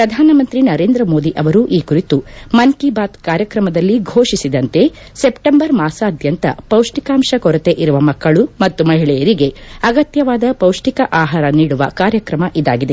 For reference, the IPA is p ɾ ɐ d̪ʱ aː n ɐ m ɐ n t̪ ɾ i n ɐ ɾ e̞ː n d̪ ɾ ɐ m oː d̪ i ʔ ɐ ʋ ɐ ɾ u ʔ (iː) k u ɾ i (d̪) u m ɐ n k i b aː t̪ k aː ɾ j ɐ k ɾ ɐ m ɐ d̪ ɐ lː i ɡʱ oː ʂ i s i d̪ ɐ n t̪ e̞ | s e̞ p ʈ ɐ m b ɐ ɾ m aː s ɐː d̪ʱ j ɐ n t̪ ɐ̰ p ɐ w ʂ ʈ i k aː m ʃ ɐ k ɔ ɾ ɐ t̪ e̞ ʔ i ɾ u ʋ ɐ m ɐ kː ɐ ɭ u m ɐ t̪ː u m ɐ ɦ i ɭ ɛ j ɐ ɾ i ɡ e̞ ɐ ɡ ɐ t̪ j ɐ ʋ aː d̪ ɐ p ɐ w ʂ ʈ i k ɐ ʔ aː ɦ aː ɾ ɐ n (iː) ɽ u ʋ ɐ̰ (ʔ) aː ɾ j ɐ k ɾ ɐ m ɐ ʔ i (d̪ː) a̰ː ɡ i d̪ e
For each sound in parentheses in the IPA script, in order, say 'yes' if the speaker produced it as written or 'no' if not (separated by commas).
yes, no, yes, no, no